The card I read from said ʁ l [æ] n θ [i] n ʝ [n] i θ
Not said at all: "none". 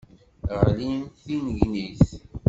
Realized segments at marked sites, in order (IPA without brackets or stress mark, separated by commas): i, i, n